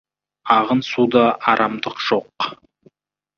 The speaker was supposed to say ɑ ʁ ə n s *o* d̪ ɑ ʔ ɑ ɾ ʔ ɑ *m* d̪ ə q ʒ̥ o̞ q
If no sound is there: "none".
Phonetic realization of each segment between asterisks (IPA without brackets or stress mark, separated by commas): u, m